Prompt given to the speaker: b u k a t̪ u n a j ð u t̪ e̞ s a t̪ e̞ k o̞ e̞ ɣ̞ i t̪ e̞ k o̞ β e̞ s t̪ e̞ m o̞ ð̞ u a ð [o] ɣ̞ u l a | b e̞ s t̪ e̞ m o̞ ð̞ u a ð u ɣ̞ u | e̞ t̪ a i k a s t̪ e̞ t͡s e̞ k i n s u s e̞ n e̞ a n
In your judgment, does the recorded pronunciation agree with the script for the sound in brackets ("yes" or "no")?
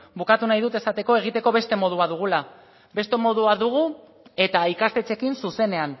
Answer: no